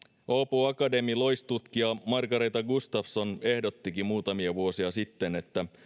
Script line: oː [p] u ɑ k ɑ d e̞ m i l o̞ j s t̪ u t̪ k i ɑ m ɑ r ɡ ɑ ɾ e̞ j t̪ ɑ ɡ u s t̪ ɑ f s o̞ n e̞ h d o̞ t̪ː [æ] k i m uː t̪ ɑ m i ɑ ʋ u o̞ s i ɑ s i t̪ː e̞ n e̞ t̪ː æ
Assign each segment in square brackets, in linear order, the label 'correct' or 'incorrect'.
correct, incorrect

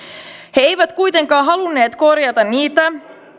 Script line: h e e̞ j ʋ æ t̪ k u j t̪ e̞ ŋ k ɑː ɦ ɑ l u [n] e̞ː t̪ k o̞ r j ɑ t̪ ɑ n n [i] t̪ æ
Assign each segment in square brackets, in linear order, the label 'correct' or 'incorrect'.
incorrect, incorrect

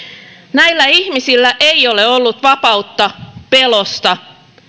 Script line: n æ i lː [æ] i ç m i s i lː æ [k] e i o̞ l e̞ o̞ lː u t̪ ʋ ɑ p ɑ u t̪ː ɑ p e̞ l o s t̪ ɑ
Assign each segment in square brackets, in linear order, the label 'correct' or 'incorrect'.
correct, incorrect

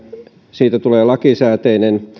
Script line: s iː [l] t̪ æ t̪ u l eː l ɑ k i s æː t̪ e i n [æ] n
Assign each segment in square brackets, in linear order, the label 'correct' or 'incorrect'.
incorrect, incorrect

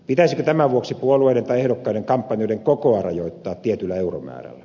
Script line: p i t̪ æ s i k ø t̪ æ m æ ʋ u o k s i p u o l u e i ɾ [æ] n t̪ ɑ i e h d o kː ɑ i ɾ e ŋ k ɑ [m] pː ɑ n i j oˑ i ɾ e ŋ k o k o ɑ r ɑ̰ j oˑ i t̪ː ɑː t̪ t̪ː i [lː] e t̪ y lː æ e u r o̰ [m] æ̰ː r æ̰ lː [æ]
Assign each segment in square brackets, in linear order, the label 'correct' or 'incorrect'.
incorrect, correct, incorrect, correct, correct

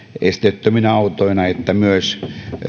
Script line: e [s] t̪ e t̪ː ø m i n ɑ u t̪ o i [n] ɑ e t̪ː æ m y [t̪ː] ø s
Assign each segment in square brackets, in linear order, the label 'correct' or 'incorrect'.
correct, correct, incorrect

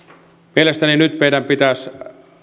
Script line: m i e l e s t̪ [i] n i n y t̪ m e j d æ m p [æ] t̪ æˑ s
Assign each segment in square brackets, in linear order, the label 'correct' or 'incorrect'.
incorrect, incorrect

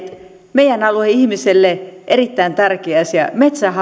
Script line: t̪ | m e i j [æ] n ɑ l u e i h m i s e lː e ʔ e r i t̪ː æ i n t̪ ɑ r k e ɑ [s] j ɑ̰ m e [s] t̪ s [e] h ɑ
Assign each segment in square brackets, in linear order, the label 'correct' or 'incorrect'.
correct, correct, incorrect, incorrect

